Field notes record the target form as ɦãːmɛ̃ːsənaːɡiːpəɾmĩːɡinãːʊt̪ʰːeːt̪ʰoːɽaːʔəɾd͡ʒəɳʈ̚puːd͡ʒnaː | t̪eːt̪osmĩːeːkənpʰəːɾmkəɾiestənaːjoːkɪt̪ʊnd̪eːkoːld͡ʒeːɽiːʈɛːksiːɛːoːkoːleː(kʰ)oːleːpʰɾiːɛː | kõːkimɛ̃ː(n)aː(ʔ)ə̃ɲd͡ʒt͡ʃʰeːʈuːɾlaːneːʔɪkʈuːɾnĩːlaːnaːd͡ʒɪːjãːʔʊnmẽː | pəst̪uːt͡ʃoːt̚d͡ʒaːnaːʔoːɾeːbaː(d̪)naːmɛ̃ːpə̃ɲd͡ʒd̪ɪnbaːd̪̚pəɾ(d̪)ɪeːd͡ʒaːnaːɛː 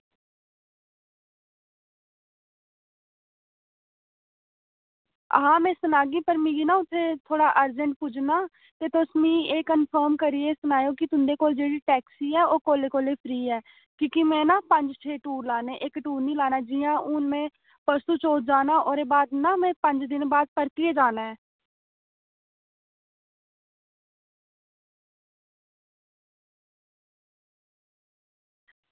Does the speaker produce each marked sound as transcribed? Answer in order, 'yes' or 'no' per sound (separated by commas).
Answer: no, yes, no, yes, no